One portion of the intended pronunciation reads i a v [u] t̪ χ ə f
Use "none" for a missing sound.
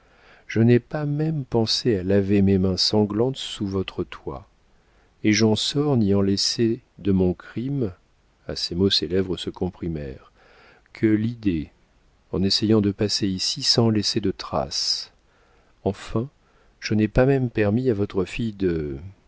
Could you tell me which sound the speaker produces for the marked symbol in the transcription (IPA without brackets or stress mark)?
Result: ɔ